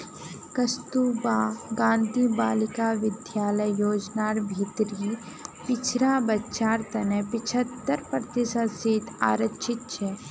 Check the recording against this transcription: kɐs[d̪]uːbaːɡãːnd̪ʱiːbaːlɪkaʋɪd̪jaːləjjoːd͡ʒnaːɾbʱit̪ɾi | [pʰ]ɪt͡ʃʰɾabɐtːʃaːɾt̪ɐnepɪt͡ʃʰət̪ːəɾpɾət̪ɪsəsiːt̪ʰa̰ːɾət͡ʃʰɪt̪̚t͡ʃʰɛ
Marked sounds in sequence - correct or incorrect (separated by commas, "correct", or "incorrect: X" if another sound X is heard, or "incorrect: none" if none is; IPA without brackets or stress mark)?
incorrect: t̪, incorrect: p